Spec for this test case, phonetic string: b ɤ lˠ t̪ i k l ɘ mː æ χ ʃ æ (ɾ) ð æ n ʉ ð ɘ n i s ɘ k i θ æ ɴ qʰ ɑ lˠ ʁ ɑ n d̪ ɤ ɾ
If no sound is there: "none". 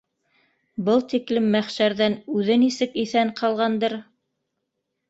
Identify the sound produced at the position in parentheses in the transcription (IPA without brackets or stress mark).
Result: ɾ